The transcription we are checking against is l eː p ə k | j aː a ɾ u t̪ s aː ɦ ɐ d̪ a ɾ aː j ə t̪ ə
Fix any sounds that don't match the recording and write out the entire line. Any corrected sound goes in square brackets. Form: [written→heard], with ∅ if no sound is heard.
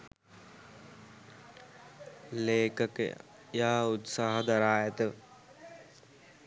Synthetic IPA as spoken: l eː [p→k] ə k | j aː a [ɾ→∅] u t̪ s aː ɦ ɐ d̪ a ɾ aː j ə t̪ ə

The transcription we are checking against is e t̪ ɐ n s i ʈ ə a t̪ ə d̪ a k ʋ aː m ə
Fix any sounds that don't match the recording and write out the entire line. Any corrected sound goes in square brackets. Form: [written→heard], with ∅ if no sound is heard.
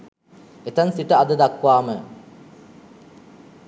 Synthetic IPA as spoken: e t̪ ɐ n s i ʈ ə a [t̪→d̪] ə d̪ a k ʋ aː m ə

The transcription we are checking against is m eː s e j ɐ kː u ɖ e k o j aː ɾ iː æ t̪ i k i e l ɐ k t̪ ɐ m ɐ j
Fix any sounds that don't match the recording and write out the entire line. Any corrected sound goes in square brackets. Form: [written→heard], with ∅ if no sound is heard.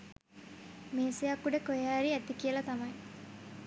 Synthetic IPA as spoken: m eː s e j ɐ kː u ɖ e k o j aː ɾ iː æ t̪ i k i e l ɐ [k→∅] t̪ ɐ m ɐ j

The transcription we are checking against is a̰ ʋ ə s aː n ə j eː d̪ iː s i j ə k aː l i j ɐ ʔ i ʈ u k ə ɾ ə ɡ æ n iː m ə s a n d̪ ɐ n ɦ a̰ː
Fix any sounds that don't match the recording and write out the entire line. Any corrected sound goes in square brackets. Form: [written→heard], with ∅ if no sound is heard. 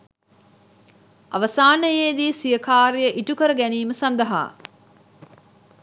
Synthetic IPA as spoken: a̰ ʋ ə s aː n ə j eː d̪ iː s i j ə k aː [l→ɾ] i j [ɐ→ə] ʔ i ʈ u k ə ɾ ə ɡ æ n iː m ə s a n d̪ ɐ [n→∅] ɦ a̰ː

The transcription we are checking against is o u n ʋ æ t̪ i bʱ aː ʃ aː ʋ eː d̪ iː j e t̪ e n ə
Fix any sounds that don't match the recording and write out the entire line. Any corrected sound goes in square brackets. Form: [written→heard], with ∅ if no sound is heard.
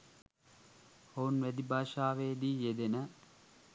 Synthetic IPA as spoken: o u n ʋ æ [t̪→d̪] i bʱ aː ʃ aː ʋ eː d̪ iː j e [t̪→d̪] e n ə

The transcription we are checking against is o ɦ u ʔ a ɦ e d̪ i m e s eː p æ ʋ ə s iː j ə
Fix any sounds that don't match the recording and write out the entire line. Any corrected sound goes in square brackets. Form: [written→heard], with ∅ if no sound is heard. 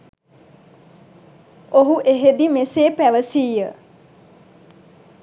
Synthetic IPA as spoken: o ɦ u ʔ [a→e] ɦ e d̪ i m e s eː p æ ʋ ə s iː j ə

